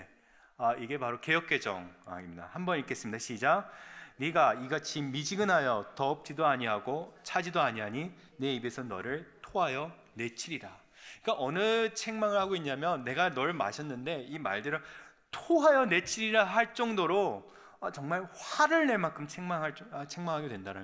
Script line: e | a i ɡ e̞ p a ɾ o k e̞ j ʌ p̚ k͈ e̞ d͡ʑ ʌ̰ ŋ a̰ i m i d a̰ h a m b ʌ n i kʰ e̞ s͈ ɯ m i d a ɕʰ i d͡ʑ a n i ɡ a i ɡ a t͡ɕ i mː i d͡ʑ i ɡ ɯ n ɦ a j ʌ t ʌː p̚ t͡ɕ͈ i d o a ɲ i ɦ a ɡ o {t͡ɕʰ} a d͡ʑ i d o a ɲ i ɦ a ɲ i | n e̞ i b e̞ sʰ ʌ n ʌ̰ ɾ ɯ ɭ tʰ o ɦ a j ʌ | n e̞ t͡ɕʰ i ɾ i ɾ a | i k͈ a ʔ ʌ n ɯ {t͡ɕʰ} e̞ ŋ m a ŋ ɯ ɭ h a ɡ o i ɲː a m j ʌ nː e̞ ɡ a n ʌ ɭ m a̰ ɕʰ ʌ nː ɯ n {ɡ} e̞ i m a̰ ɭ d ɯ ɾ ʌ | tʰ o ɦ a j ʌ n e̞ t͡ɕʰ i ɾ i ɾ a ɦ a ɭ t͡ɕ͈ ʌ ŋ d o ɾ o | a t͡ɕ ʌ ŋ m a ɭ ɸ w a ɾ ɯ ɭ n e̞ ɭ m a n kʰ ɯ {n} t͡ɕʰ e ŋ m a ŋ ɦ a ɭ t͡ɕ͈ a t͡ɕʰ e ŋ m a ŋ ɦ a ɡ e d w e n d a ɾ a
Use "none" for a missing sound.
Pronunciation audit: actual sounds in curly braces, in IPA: t͡ɕʰ, t͡ɕʰ, d, m

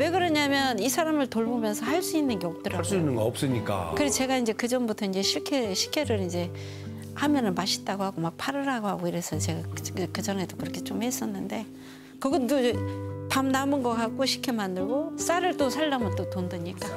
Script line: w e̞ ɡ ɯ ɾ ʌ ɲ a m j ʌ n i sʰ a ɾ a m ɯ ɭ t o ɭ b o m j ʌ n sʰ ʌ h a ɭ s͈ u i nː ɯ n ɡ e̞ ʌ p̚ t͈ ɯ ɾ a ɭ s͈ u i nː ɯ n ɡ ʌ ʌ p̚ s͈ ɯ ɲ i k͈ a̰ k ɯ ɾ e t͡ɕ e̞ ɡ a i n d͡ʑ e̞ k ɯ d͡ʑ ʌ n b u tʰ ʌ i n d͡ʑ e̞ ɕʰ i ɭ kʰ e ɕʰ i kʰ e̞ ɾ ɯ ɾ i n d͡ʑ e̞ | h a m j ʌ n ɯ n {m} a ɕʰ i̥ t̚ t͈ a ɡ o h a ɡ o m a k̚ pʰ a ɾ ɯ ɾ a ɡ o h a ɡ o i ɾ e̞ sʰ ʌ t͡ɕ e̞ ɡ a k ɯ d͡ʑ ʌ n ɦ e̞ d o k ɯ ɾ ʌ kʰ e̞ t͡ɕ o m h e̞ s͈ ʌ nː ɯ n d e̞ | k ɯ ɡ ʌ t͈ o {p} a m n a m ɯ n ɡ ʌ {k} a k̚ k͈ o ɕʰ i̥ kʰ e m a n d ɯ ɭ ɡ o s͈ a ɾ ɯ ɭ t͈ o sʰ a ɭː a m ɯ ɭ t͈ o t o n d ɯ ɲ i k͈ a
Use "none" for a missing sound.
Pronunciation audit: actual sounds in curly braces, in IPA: m, p, k

